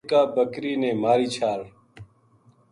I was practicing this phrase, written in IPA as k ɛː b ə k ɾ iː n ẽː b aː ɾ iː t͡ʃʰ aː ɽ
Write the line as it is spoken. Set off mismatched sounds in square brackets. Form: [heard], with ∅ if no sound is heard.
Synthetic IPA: k [aː] b ə k ɾ iː n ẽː [m] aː ɾ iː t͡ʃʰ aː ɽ

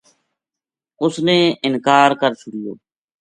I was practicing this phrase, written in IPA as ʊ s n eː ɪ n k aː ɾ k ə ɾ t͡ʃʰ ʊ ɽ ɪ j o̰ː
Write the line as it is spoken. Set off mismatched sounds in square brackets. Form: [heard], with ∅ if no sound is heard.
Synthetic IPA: ʊ s n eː ɪ n k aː ɾ k ə ɾ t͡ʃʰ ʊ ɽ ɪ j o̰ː

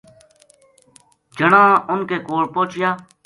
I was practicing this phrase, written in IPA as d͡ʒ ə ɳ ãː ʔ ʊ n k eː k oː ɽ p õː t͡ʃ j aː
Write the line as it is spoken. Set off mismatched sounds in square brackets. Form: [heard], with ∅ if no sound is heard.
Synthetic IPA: d͡ʒ ə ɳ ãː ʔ ʊ n k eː k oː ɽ p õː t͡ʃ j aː

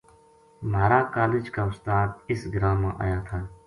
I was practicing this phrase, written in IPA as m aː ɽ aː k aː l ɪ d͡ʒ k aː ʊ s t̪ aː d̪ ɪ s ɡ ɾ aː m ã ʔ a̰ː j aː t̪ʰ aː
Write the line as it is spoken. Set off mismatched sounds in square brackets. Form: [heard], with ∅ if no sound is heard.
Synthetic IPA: m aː [ɾ] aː k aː l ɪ d͡ʒ k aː ʊ s t̪ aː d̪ ɪ s ɡ ɾ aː m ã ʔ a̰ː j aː t̪ʰ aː

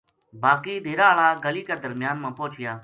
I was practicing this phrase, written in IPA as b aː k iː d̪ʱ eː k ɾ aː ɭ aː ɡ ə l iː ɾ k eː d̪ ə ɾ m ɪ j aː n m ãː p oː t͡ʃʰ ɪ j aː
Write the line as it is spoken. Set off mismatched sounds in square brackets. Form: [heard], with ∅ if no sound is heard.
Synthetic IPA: b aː k iː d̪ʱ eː [∅] ɾ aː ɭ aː ɡ ə l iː [∅] k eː d̪ ə ɾ m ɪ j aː n m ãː p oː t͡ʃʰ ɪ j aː

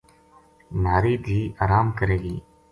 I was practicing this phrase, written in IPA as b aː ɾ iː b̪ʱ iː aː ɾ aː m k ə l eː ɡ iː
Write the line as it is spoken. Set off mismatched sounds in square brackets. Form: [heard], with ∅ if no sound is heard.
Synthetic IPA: [m] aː ɾ iː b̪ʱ iː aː ɾ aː m k ə [ɾ] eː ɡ iː

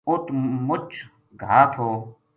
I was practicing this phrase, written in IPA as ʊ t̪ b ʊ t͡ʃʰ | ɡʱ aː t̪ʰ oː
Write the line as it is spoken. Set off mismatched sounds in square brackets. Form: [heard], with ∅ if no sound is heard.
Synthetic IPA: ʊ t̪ [m] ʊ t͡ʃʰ | ɡʱ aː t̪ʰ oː

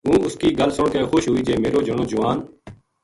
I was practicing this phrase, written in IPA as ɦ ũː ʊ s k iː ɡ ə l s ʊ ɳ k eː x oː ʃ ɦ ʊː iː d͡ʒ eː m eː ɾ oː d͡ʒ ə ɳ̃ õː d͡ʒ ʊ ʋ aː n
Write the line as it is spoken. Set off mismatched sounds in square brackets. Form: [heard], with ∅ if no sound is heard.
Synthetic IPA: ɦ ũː ʊ s k iː ɡ ə l s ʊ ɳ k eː x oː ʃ ɦ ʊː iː d͡ʒ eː m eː ɾ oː d͡ʒ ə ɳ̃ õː d͡ʒ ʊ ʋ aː n

